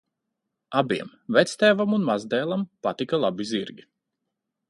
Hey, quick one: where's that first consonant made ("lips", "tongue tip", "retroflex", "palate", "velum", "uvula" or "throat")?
lips